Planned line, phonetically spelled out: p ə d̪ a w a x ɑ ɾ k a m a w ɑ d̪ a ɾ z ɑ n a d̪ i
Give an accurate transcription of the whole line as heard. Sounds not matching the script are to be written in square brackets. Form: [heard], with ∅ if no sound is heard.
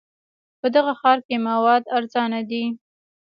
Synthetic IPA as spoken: p ə d̪ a [ɣ] a x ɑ ɾ k [e] m a w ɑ d̪ a ɾ z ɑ n a d̪ i